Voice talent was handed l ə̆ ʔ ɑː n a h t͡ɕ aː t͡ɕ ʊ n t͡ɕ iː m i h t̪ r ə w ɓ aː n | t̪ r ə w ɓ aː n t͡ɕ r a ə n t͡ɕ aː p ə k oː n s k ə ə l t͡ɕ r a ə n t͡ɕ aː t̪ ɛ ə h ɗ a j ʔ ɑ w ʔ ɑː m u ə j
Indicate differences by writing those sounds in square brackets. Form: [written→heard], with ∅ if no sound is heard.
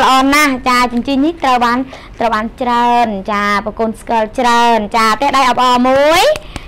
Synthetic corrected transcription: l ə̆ ʔ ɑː n a h t͡ɕ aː t͡ɕ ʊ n t͡ɕ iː [m→n] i h t̪ r ə w ɓ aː n | t̪ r ə w ɓ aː n t͡ɕ r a ə n t͡ɕ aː p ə k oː n s k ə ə l t͡ɕ r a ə n t͡ɕ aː t̪ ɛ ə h ɗ a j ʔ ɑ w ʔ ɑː m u ə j